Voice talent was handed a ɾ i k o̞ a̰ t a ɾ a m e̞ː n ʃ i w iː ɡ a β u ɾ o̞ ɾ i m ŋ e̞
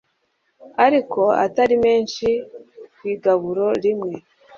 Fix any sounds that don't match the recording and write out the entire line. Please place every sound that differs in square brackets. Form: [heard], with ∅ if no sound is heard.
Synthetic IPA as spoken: a ɾ i k o̞ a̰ t a ɾ [i] m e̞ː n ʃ i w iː ɡ a β u ɾ o̞ ɾ i m ŋ e̞

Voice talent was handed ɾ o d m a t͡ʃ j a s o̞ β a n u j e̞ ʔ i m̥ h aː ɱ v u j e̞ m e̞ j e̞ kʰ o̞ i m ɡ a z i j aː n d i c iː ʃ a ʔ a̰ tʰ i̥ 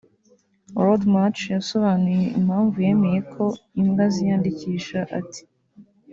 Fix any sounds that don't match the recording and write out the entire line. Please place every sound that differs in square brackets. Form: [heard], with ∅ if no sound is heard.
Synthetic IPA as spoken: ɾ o d m a t͡ʃ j a s o̞ β a n u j e̞ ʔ i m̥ h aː ɱ v u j e̞ m e̞ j e̞ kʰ o̞ i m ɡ a z i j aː n d i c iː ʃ a ʔ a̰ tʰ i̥

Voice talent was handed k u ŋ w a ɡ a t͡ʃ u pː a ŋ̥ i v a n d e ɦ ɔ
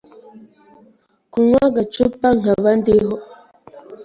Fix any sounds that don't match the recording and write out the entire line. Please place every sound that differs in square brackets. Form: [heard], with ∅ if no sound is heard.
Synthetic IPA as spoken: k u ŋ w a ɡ a t͡ʃ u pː a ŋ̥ [a] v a n d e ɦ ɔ

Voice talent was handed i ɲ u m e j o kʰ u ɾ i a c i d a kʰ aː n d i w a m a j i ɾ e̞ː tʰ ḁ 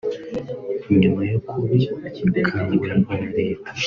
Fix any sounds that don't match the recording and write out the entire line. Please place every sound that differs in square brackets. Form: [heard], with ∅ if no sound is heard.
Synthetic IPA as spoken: i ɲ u m [a] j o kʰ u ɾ i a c i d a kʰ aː n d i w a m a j [a] ɾ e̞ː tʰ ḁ

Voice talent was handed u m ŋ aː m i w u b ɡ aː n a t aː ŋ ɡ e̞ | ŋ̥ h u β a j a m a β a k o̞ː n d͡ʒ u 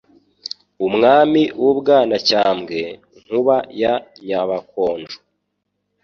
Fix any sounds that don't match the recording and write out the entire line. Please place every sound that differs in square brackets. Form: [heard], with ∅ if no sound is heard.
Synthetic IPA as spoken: u m ŋ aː m i w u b ɡ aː n a [c] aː [m] ɡ e̞ | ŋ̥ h u β a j a [ɲ] a β a k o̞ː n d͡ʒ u

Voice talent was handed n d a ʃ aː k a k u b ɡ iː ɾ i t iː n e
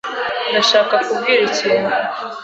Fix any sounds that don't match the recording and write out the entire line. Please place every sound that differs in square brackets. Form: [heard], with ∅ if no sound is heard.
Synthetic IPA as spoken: n d a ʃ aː k a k u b ɡ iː ɾ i [c] iː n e

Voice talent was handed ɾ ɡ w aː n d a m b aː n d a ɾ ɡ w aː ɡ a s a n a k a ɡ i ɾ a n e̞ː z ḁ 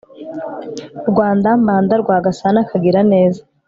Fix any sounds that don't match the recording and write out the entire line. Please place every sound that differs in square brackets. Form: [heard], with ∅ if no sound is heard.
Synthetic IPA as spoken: ɾ ɡ w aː n d a m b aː n d a ɾ ɡ w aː ɡ a s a n a k a ɡ i ɾ a n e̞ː z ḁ

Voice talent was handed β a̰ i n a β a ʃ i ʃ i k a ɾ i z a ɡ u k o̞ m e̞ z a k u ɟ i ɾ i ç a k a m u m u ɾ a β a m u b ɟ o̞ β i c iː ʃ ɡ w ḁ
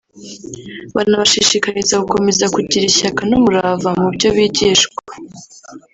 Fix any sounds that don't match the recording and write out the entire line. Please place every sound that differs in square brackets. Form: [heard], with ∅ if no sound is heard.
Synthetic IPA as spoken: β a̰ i n a β a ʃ i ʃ i k a ɾ i z a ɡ u k o̞ m e̞ z a k u ɟ i ɾ i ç a k a [n] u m u ɾ a [v] a m u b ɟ o̞ β i [ɟ] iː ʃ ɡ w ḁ

